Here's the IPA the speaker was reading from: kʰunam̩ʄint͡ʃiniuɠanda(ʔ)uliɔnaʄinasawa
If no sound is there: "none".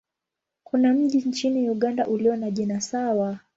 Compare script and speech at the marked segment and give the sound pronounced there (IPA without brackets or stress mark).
ʔ